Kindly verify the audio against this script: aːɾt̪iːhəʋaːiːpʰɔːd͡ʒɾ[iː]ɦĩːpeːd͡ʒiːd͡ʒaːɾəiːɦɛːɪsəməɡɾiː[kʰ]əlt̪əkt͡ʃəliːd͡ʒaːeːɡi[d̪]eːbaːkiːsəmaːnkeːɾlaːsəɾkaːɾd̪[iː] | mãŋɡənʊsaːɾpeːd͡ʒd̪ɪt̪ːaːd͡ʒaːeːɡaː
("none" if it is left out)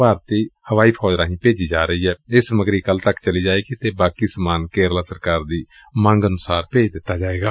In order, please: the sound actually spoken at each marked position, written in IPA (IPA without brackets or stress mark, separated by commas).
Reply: aː, k, t̪, iː